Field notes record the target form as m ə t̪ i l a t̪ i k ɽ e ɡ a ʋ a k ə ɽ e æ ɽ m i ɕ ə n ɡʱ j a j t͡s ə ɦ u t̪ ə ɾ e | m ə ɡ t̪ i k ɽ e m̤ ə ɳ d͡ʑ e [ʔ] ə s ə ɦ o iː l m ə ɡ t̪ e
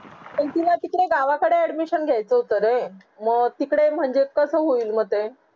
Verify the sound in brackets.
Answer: incorrect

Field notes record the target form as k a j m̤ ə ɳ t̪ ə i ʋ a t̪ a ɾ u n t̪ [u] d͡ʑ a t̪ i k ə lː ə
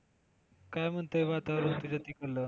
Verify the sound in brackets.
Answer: correct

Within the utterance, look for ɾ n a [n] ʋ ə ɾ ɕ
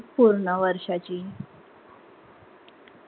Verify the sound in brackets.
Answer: incorrect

